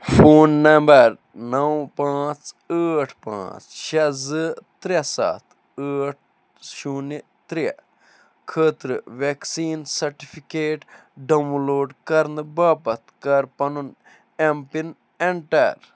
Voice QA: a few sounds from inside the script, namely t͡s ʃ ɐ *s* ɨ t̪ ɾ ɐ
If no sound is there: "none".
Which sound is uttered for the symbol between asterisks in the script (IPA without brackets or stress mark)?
z